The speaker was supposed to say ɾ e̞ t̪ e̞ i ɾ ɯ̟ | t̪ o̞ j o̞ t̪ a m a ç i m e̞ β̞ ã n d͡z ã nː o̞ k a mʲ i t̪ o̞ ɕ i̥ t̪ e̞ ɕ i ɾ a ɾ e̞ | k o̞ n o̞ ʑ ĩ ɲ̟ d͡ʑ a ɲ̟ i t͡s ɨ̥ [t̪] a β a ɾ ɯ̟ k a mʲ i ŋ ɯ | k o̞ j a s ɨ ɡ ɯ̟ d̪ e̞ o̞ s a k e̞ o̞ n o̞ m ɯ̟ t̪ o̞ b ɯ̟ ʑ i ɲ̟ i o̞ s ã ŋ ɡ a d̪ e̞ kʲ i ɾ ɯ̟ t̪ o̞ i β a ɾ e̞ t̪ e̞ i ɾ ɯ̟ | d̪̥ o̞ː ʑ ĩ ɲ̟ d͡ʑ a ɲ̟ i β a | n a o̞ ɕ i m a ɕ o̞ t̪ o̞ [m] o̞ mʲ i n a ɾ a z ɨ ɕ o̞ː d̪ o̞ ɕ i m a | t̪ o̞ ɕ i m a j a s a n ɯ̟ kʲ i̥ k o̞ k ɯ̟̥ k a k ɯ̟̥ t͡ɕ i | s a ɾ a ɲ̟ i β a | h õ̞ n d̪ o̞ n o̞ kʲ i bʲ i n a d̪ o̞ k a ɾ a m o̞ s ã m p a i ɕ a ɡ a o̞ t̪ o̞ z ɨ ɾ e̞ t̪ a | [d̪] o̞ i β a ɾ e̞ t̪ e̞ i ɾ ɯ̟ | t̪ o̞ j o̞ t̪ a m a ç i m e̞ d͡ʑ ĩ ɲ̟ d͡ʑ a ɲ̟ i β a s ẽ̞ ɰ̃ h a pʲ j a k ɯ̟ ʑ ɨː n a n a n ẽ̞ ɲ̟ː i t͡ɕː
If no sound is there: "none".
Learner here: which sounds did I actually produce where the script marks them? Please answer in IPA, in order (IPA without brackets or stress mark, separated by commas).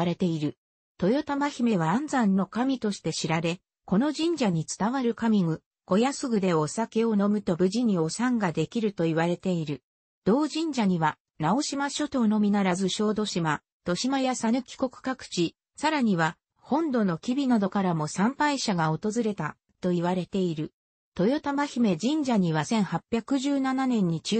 t̪, n, t̪